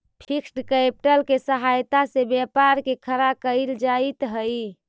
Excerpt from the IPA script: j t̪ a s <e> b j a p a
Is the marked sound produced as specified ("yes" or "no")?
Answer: yes